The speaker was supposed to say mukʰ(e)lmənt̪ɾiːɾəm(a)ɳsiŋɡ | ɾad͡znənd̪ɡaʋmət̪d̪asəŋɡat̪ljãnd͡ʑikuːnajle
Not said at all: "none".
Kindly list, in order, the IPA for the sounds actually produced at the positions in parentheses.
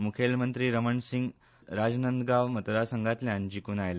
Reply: e, ə

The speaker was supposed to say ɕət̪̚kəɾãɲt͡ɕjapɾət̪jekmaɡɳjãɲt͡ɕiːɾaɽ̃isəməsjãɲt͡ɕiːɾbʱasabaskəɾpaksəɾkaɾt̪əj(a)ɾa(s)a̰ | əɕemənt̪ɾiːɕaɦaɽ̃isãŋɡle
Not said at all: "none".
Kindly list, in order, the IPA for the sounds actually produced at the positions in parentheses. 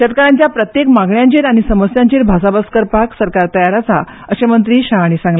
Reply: a, t͡s

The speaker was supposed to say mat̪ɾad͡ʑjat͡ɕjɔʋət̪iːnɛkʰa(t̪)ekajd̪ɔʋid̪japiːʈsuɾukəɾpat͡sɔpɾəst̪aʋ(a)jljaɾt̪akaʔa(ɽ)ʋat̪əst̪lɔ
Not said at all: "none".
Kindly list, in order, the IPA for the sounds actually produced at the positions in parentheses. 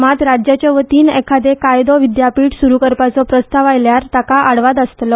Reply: d̪, a, ɽ

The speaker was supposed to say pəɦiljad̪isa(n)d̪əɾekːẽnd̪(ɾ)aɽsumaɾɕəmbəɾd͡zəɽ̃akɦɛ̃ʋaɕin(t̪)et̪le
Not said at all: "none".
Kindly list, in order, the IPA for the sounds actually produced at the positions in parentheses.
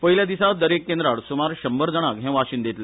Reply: none, ɾ, d̪

